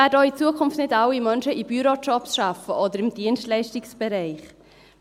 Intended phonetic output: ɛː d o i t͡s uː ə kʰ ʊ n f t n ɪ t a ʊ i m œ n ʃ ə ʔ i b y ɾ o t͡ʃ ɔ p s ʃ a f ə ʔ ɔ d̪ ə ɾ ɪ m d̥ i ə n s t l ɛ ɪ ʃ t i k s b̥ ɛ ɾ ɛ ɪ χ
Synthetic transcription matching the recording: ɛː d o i t͡s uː ə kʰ ʊ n f t n ɪ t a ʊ i m œ n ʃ ə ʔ i b y ɾ o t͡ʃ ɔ p s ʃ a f ə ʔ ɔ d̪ ə ɾ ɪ m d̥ i ə n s t l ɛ ɪ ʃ t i k s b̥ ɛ ɾ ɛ ɪ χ